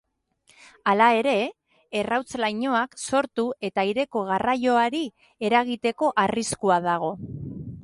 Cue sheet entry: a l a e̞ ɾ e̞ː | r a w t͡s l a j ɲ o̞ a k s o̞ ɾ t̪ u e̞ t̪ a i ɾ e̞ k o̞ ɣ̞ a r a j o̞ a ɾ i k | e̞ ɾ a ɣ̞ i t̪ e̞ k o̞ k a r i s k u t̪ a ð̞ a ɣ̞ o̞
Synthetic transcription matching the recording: a l a e̞ ɾ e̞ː | r a w t͡s l a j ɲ o̞ a k s o̞ ɾ t̪ u e̞ t̪ a i ɾ e̞ k o̞ ɣ̞ a r a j o̞ a ɾ i | e̞ ɾ a ɣ̞ i t̪ e̞ k o̞ ʔ a r i s k u a ð̞ a ɣ̞ o̞